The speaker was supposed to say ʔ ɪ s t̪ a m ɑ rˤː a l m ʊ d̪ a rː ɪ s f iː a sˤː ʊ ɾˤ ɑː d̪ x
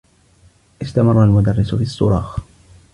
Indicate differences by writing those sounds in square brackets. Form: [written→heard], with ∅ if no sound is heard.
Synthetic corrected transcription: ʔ ɪ s t̪ a m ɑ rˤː a l m ʊ d̪ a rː ɪ s f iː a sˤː ʊ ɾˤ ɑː [d̪→∅] x

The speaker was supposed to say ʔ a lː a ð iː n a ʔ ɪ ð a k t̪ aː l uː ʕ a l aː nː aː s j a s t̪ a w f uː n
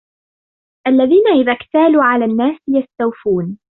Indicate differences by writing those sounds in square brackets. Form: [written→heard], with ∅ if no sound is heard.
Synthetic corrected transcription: ʔ a lː a ð iː n a ʔ ɪ ð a k t̪ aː l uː ʕ a l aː nː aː s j a s t̪ a w f uː n

